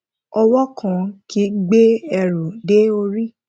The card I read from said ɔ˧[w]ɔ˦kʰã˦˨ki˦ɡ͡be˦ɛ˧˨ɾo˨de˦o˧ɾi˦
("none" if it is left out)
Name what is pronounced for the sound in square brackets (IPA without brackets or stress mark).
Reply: w